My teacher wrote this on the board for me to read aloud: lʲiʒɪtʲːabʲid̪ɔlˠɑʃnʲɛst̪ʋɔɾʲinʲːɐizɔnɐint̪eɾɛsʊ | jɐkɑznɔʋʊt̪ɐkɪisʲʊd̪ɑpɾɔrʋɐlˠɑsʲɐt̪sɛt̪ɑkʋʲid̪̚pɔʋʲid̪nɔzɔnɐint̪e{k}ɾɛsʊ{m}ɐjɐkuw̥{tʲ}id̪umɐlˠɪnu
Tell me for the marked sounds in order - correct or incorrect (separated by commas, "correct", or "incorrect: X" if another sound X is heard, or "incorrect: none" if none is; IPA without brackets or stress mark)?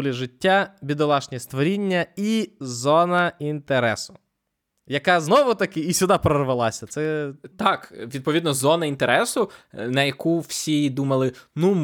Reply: incorrect: none, incorrect: n, incorrect: sʲ